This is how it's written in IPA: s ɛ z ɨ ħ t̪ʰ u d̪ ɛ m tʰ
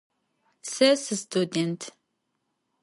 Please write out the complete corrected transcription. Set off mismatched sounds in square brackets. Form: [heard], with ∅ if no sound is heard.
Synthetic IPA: s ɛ [s] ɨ [s] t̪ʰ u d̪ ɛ [n] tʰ